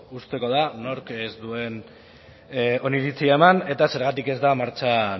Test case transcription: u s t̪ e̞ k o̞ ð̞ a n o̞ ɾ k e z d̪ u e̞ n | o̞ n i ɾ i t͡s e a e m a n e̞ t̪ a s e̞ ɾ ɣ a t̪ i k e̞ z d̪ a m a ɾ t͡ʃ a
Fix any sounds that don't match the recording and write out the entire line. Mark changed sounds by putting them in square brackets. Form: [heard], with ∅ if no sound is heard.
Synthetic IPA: u s t̪ e̞ k o̞ ð̞ a n o̞ ɾ k e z d̪ u e̞ n | o̞ n i ɾ i t͡s [i] a e m a n e̞ t̪ a s e̞ ɾ ɣ a t̪ i k e̞ z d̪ a m a ɾ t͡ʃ a

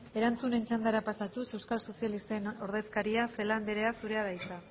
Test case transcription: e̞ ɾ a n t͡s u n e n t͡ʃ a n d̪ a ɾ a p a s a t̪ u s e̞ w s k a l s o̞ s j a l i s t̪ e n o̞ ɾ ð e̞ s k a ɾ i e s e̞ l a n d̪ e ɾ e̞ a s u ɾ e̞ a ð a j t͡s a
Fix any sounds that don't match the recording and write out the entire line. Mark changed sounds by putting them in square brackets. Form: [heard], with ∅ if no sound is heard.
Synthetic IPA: e̞ ɾ a n t͡s u n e n t͡ʃ a n d̪ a ɾ a p a s a t̪ u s e̞ w s k a l s o̞ s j a l i s t̪ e n o̞ ɾ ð e̞ s k a ɾ i [a] s e̞ l a n d̪ e ɾ e̞ a s u ɾ e̞ a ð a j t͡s a

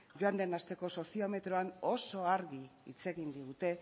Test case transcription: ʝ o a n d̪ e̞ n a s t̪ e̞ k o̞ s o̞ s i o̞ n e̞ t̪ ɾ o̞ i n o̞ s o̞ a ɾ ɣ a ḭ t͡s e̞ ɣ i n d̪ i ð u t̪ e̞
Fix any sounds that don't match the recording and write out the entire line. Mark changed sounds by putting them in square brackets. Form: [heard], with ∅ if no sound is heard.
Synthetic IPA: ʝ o a n d̪ e̞ n a s t̪ e̞ k o̞ s o̞ s i o̞ [m] e̞ t̪ ɾ o̞ [a] n o̞ s o̞ a ɾ ɣ [i] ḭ t͡s e̞ ɣ i n d̪ i [ɣ] u t̪ e̞

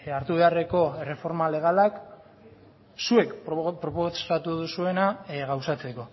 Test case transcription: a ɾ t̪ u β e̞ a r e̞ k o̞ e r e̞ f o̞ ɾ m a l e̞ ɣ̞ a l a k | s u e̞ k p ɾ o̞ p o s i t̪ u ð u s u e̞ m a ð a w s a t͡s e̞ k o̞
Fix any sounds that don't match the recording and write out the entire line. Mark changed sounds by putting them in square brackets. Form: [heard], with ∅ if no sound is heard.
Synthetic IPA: a ɾ t̪ u β e̞ a r e̞ k o̞ e r e̞ f o̞ ɾ m a l e̞ ɣ̞ a l a k | s u e̞ k p ɾ o̞ p o s [a] t̪ u ð u s u e̞ [n] a [ɣ] a w s a t͡s e̞ k o̞

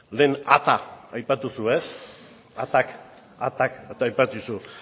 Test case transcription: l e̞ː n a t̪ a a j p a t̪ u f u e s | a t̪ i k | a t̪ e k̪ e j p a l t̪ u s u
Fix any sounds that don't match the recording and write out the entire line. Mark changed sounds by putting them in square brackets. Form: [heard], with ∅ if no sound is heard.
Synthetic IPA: l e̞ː n a t̪ a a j p a t̪ u [s] u e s | a t̪ [a] k | a t̪ [a] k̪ [a] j p a [∅] t̪ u s u

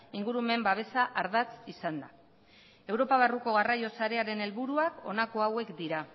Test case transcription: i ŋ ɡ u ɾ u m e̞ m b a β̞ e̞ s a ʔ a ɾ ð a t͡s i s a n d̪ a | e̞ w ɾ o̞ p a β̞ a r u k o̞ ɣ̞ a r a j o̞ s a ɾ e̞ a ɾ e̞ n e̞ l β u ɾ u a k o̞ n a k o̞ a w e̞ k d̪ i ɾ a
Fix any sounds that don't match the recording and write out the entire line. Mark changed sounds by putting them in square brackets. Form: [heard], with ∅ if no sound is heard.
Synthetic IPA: i ŋ ɡ u ɾ u m e̞ m b a β̞ e̞ s a ʔ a ɾ ð a t͡s i s a n d̪ a | e̞ w ɾ o̞ p a β̞ a r u k o̞ ɣ̞ a r a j o̞ s a ɾ e̞ a ɾ e̞ n e̞ l β u ɾ u a k o̞ n a k o̞ a w e̞ k d̪ i ɾ a

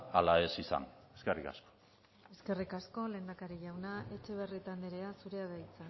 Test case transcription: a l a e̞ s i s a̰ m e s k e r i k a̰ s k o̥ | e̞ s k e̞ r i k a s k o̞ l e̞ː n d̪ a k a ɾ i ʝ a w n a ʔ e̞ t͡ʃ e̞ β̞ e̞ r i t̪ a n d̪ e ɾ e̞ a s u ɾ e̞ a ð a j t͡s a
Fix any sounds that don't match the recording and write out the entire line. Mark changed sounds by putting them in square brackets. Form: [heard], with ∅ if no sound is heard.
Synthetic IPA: a l a e̞ s i s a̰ [n] e s k e r i k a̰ s k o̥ | e̞ s k e̞ r i k a s k o̞ l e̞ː n d̪ a k a ɾ i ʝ a w n a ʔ e̞ t͡ʃ e̞ β̞ e̞ r i t̪ a n d̪ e ɾ e̞ a s u ɾ e̞ a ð a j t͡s a

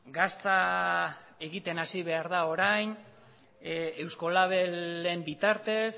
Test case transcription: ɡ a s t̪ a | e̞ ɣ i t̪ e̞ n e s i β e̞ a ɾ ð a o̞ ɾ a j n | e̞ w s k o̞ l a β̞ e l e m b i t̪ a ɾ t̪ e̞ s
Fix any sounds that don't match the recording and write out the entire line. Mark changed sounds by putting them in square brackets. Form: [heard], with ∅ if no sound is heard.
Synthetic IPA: ɡ a s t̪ a | e̞ ɣ i t̪ e̞ n [a] s i β e̞ a ɾ ð a o̞ ɾ a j n | e̞ w s k o̞ l a β̞ e l e m b i t̪ a ɾ t̪ e̞ s

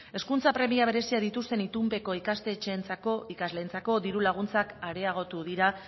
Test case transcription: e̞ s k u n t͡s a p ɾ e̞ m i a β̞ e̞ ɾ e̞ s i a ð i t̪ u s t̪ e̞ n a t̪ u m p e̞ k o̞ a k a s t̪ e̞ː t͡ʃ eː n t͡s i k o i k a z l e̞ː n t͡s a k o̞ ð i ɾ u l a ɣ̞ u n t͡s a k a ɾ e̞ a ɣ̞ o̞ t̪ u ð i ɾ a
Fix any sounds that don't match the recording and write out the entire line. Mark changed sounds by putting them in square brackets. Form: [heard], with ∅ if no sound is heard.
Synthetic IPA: e̞ s k u n t͡s a p ɾ e̞ m i a β̞ e̞ ɾ e̞ s i a ð i t̪ u s t̪ e̞ n [i] t̪ u m p e̞ k o̞ [i] k a s t̪ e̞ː t͡ʃ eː n t͡s [a] k o i k a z l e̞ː n t͡s a k o̞ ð i ɾ u l a ɣ̞ u n t͡s a k a ɾ e̞ a ɣ̞ o̞ t̪ u ð i ɾ a

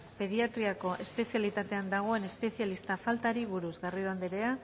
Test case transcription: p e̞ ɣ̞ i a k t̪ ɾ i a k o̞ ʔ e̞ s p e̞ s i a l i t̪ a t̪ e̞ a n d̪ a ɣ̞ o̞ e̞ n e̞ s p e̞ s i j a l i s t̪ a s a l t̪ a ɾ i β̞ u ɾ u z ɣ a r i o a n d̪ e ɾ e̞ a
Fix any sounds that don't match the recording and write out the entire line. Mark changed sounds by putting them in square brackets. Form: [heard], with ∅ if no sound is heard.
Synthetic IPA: p e̞ [ð̞] i a [∅] t̪ ɾ i a k o̞ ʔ e̞ s p e̞ s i a l i t̪ a t̪ e̞ a n d̪ a ɣ̞ o̞ e̞ n e̞ s p e̞ s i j a l i s t̪ a [f] a l t̪ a ɾ i β̞ u ɾ u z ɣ a r i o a n d̪ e ɾ e̞ a

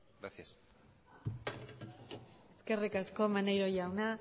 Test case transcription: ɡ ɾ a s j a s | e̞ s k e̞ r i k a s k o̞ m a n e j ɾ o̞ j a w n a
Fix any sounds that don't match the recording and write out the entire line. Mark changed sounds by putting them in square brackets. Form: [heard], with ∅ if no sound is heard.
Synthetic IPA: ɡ ɾ a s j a s | e̞ s k e̞ r i k a s k o̞ m a n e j ɾ o̞ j a w n a

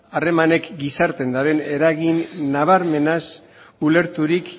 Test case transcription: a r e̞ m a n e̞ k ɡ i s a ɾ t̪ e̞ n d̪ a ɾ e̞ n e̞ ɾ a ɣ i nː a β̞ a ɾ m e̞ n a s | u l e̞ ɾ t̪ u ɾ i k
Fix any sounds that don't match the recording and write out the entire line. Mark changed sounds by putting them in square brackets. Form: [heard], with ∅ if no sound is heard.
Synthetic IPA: a r e̞ m a n e̞ k ɡ i s a ɾ t̪ e̞ n d̪ a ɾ e̞ n e̞ ɾ a ɣ i nː a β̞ a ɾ m e̞ n a s | u l e̞ ɾ t̪ u ɾ i k

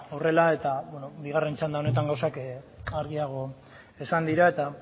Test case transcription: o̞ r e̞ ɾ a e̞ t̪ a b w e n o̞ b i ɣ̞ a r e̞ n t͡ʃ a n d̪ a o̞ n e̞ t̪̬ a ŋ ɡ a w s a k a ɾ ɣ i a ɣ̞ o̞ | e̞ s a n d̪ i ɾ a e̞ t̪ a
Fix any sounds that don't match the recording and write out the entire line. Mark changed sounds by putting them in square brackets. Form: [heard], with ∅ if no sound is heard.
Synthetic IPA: o̞ r e̞ [l] a e̞ t̪ a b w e n o̞ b i ɣ̞ a r e̞ n t͡ʃ a n d̪ a o̞ n e̞ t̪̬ a ŋ ɡ a w s a k a ɾ ɣ i a ɣ̞ o̞ | e̞ s a n d̪ i ɾ a e̞ t̪ a

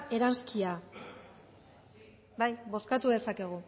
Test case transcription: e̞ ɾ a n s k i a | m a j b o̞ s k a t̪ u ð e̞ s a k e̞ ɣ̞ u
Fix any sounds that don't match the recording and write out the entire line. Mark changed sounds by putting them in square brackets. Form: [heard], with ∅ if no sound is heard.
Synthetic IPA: e̞ ɾ a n s k i a | [b] a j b o̞ s k a t̪ u ð e̞ s a k e̞ ɣ̞ u

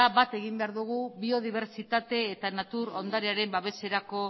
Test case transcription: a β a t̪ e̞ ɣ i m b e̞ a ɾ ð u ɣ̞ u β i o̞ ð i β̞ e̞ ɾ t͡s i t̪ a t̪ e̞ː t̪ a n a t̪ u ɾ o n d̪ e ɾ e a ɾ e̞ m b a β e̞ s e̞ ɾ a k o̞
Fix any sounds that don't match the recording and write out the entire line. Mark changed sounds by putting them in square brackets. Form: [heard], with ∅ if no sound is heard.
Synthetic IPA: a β a t̪ e̞ ɣ i m b e̞ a ɾ ð u ɣ̞ u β i o̞ ð i β̞ e̞ ɾ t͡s i t̪ a t̪ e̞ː t̪ a n a t̪ u ɾ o n d̪ [a] ɾ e a ɾ e̞ m b a β e̞ s e̞ ɾ a k o̞

